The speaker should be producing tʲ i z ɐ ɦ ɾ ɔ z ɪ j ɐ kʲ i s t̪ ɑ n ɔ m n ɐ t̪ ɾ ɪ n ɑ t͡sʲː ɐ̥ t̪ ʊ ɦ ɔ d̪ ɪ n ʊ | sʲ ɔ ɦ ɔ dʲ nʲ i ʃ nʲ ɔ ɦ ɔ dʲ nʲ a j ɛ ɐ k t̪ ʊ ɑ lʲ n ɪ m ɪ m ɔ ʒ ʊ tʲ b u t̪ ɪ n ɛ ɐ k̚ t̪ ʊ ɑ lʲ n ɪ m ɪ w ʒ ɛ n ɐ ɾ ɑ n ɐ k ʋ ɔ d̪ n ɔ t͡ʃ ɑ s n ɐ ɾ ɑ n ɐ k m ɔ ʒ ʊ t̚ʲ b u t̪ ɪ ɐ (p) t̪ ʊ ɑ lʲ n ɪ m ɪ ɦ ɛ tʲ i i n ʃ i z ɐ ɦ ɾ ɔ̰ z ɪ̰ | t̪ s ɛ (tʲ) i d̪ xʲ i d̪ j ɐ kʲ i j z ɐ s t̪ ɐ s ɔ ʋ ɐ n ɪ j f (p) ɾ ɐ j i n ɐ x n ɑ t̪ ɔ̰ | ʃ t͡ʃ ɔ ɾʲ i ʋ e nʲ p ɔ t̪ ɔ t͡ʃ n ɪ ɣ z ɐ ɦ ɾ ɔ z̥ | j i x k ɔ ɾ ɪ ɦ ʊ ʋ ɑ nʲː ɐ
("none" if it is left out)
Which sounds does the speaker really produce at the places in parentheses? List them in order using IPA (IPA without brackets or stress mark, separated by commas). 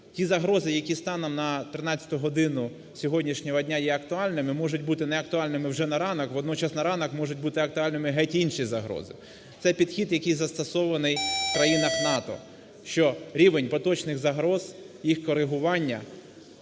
k, pʲ, k